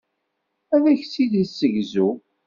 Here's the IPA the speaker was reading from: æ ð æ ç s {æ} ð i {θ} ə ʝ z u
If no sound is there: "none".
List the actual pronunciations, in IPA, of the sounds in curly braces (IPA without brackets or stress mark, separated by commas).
i, s